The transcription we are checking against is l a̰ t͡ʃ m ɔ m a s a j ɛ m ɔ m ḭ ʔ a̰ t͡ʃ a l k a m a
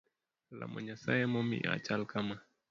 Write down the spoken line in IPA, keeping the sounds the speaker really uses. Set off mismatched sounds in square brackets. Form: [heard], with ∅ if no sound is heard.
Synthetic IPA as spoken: l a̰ [∅] m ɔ [ɲ] a s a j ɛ m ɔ m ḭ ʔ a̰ t͡ʃ a l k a m a